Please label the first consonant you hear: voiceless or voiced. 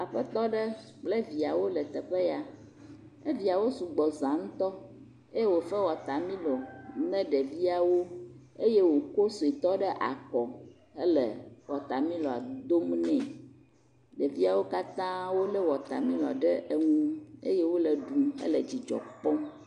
voiceless